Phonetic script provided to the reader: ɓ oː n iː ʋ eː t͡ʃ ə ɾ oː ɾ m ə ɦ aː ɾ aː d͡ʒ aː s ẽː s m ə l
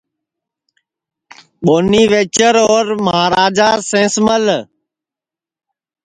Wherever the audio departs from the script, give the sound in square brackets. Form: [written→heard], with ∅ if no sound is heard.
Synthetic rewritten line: ɓ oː n iː ʋ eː t͡ʃ ə ɾ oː ɾ m ə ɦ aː ɾ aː d͡ʒ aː s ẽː s m ə l